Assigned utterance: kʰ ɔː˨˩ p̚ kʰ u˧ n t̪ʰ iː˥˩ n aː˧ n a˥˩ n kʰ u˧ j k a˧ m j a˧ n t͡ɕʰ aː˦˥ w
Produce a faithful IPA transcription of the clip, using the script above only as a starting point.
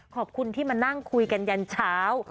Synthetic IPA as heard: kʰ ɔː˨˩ p̚ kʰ u˧ n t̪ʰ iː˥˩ m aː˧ n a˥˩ ŋ kʰ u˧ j k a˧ n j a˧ n t͡ɕʰ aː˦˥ w